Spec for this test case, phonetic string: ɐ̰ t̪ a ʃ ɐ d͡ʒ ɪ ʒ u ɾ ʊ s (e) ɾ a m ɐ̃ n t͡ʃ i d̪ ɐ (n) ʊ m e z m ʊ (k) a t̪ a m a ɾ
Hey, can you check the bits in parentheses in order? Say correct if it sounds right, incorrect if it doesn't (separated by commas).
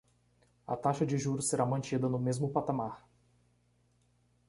correct, correct, incorrect